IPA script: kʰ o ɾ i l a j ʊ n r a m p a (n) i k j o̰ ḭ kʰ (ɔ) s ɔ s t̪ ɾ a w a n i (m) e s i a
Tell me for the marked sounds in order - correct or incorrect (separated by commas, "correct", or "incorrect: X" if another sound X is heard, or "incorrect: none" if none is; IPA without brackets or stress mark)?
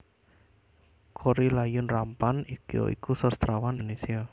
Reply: correct, incorrect: u, incorrect: n